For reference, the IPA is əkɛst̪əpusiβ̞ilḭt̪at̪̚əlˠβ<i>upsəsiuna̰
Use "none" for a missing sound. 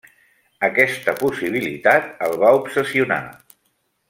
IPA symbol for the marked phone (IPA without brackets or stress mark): a